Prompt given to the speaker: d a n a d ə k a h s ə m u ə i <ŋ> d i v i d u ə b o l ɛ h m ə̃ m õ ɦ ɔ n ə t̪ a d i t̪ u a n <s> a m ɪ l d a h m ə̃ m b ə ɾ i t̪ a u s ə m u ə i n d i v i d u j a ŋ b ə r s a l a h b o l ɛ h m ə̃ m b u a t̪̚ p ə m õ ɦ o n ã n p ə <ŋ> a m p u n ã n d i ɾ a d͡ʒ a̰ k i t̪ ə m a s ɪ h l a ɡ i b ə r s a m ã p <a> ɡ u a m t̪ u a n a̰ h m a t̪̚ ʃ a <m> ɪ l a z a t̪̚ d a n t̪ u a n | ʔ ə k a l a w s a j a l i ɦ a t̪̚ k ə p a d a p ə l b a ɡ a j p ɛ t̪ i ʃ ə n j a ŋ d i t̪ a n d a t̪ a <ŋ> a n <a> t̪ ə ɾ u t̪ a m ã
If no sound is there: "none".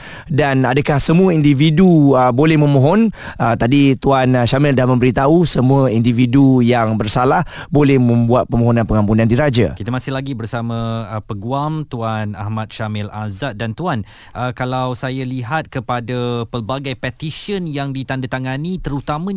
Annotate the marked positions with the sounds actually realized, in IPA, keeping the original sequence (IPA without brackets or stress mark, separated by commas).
n, ʃ, ŋ, ə, m, ŋ, i